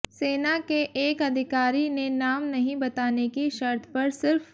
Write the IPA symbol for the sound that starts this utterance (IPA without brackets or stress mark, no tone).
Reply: s